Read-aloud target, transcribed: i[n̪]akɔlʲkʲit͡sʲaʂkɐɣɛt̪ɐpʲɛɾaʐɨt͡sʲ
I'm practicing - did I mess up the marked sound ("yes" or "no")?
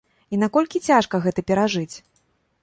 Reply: no